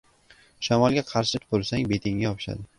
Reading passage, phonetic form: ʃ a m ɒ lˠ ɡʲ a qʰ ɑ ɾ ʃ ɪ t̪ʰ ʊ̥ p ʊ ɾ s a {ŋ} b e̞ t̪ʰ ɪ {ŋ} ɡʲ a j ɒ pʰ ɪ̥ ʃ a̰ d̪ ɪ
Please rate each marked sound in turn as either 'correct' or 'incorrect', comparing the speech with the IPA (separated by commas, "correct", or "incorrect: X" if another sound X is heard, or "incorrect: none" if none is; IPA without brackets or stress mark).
correct, correct